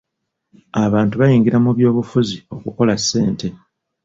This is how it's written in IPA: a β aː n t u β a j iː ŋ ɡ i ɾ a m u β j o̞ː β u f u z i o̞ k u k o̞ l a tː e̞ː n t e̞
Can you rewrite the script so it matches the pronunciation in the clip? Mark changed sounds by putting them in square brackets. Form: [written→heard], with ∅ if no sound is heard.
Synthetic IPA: a β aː n t u β a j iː ŋ ɡ i ɾ a m u β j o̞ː β u f u z i o̞ k u k o̞ l a [tː→sː] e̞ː n t e̞

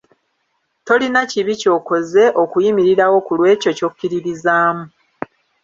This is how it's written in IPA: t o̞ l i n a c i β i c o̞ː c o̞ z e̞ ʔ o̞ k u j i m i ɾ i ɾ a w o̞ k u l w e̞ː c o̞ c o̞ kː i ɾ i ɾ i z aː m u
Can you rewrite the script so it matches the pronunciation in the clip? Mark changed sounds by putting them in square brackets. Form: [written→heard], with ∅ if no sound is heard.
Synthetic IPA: t o̞ l i n a c i β i c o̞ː [c→k] o̞ z e̞ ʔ o̞ k u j i m i ɾ i ɾ a w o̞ k u l w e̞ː c o̞ c o̞ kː i ɾ i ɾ i z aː m u

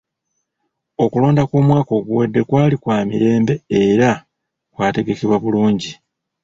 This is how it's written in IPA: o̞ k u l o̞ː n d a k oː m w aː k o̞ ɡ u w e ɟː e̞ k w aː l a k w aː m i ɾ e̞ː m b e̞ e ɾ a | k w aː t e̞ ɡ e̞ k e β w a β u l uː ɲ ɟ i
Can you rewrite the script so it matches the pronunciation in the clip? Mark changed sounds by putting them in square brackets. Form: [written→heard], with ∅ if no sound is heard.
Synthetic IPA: o̞ k u l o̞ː n d a k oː m w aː k o̞ ɡ u w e [ɟː→dː] e̞ k w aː l [a→i] k w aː m i ɾ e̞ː m b e̞ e ɾ a | k w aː t e̞ ɡ e̞ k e β w a β u l uː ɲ ɟ i

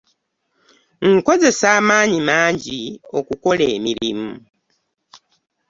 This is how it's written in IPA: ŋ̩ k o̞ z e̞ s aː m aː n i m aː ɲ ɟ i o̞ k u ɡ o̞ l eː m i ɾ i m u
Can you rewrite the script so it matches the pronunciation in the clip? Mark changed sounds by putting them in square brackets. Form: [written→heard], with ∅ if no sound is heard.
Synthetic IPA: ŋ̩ k o̞ z e̞ s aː m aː [n→ɲ] i m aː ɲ ɟ i o̞ k u [ɡ→k] o̞ l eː m i ɾ i m u

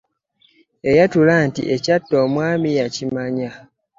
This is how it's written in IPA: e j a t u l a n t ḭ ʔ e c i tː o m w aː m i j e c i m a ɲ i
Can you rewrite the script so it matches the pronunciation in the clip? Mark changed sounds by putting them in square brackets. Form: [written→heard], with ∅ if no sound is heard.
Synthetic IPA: e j a t u l a n t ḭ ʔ e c [i→a] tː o m w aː m i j [e→a] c i m a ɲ [i→a]

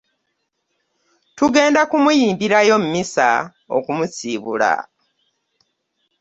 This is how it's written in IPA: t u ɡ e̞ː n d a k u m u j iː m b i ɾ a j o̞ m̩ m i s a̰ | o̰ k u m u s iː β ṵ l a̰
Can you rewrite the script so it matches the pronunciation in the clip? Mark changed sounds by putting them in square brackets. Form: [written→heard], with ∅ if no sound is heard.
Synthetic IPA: t u ɡ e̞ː n d a k u m u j iː m b i ɾ a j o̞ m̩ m i s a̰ | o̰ k u m u s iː β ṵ l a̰

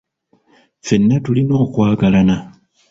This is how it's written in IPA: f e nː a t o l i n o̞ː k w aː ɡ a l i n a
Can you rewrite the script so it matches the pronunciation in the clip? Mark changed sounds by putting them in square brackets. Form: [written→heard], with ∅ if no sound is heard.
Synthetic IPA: f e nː a t [o→u] l i n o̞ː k w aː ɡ a l [i→a] n a

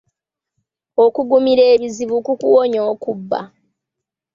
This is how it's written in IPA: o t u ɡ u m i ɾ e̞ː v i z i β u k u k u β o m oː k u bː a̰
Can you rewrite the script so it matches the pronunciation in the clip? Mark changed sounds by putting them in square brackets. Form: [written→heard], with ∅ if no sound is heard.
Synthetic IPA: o [t→k] u ɡ u m i ɾ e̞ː [v→β] i z i β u k u k u [β→w] o [m→ɲ] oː k u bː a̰

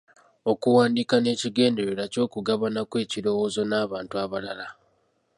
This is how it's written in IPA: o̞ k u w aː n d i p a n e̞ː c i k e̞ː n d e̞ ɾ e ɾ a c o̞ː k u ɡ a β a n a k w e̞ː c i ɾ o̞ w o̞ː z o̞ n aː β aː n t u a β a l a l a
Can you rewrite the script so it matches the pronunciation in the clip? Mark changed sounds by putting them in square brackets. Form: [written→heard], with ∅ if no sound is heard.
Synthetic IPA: o̞ k u w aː n d i [p→k] a n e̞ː c i [k→ɡ] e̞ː n d e̞ ɾ e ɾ a c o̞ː k u ɡ a β a n a k w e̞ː c i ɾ o̞ w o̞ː z o̞ n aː β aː n t u a β a l a l a

